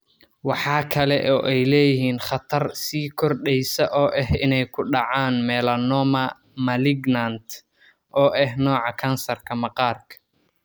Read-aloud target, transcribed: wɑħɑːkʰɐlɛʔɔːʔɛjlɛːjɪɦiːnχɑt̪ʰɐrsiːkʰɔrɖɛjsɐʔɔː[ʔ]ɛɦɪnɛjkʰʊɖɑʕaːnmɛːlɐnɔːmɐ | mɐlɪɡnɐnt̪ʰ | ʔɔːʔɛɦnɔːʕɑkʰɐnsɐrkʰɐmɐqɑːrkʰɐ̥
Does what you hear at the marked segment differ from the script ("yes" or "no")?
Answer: no